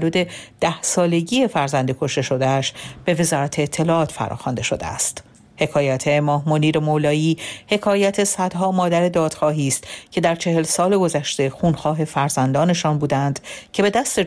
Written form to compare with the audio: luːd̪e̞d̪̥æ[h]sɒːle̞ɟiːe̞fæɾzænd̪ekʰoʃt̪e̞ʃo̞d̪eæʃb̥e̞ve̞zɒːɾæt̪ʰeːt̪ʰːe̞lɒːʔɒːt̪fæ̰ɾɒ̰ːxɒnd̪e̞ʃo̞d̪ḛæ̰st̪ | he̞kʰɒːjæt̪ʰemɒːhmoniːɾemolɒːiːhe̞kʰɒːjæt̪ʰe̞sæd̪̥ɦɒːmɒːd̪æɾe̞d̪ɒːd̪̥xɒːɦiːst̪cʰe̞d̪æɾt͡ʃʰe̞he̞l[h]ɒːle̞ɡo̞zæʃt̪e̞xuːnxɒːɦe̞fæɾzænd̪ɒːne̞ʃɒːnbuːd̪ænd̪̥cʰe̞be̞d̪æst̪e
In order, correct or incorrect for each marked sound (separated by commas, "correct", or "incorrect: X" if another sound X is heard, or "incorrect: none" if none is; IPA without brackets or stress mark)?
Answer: correct, incorrect: s